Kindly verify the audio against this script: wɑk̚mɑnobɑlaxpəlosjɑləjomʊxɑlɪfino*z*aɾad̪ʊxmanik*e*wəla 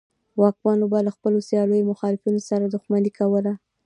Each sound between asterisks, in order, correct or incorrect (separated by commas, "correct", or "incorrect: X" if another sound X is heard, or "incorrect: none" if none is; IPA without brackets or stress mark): incorrect: s, incorrect: a